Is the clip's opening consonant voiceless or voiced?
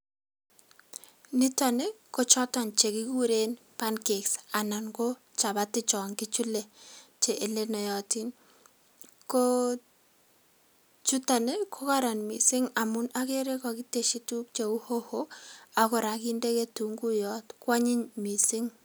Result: voiced